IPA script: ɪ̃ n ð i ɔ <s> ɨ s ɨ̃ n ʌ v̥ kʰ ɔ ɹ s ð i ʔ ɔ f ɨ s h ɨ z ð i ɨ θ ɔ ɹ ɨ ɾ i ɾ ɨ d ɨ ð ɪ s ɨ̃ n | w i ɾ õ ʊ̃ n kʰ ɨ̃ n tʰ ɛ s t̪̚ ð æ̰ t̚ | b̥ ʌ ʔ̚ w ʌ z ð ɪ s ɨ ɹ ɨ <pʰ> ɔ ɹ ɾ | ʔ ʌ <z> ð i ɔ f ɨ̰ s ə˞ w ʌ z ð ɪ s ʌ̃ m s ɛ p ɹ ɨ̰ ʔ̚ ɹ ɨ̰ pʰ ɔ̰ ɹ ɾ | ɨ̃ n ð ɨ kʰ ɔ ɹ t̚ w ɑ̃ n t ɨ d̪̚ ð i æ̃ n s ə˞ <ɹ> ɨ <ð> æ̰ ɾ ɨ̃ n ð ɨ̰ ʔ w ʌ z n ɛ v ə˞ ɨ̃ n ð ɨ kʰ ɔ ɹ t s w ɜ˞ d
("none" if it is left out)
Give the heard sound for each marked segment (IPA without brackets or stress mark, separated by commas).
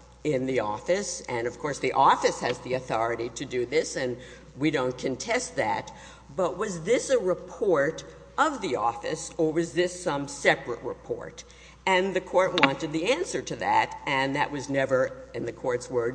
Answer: f, pʰ, v, ɾ, ð